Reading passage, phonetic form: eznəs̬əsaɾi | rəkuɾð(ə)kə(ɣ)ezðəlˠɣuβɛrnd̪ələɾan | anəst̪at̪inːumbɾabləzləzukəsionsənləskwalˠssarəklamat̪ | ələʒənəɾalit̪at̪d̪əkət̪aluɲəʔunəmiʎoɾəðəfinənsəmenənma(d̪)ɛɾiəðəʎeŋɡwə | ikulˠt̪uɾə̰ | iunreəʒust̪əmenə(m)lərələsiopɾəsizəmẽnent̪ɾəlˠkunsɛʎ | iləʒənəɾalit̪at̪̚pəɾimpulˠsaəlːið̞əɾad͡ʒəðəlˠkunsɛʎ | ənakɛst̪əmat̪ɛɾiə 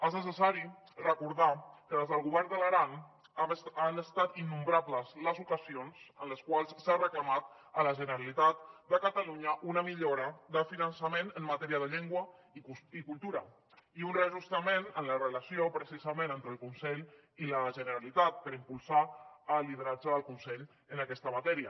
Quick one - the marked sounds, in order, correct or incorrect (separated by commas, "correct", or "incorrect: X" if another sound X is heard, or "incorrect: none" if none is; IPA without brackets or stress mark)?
incorrect: a, incorrect: ð, incorrect: t̪, incorrect: n